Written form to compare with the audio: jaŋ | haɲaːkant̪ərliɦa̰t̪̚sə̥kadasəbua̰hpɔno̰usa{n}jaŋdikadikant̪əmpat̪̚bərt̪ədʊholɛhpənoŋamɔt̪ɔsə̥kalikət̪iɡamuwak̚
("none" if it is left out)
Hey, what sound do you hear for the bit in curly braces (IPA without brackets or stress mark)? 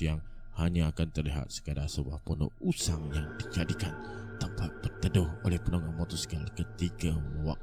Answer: ŋ